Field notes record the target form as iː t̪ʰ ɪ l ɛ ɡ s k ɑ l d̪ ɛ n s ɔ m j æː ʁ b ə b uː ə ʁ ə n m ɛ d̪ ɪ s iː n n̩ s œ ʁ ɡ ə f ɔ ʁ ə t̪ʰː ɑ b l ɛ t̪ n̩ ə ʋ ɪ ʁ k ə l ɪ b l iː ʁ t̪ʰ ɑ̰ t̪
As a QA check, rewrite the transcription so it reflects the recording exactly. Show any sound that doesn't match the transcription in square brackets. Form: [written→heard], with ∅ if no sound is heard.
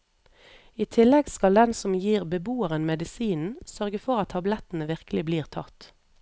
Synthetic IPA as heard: iː t̪ʰ ɪ l ɛ ɡ s k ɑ l d̪ ɛ n s ɔ m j [æː→iː] ʁ b ə b uː ə ʁ ə n m ɛ d̪ ɪ s iː n n̩ s œ ʁ ɡ ə f ɔ ʁ [ə→ɑ] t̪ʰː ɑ b l ɛ t̪ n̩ ə ʋ ɪ ʁ k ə l ɪ b l iː ʁ t̪ʰ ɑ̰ t̪